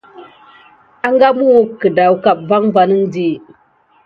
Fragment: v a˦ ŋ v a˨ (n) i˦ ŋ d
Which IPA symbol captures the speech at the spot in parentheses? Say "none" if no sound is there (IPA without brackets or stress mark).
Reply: n